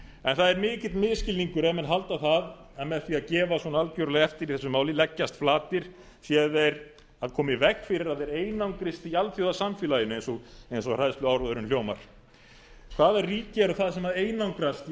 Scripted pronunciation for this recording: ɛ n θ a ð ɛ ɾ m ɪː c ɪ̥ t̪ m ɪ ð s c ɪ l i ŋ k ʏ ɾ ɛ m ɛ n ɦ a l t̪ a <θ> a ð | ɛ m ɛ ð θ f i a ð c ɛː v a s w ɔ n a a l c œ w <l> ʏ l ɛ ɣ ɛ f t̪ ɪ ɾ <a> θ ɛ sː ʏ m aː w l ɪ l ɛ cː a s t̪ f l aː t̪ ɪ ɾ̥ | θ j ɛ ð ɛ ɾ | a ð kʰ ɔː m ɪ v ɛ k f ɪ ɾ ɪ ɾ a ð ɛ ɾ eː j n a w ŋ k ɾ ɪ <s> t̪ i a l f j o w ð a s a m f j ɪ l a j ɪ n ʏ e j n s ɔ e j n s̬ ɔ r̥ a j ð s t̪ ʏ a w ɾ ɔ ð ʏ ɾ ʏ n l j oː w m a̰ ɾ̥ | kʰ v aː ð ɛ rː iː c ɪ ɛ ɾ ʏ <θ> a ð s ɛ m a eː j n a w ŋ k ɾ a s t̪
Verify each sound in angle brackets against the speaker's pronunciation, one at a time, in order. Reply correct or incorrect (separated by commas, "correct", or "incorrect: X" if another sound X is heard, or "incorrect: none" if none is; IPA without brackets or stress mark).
correct, incorrect: ɾ, incorrect: i, correct, correct